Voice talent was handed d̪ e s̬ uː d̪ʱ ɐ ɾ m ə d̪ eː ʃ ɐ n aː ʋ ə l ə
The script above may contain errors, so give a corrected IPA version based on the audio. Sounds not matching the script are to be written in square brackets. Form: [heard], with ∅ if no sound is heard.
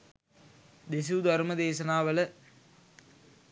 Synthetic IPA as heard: d̪ e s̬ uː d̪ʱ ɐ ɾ m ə d̪ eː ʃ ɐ n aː ʋ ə l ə